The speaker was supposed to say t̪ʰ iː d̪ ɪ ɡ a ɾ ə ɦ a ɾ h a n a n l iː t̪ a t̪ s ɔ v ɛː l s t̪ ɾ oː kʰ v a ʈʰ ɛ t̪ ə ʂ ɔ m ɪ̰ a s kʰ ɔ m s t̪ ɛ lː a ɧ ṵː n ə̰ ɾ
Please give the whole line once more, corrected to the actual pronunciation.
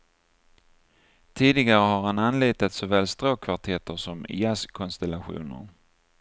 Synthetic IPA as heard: t̪ʰ iː d̪ ɪ ɡ a ɾ ə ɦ a ɾ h a n a n l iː t̪ a t̪ s ɔ v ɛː l s t̪ ɾ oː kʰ v a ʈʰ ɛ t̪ ə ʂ ɔ m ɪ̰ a s kʰ ɔ n s t̪ ɛ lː a ɧ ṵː n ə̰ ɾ